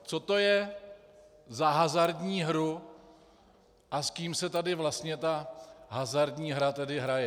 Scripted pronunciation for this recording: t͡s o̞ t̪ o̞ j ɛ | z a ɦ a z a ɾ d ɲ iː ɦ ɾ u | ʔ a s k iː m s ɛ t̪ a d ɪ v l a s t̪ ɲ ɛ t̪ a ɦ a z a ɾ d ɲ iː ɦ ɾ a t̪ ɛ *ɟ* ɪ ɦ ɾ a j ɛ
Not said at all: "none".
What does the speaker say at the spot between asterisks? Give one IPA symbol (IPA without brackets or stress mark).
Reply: d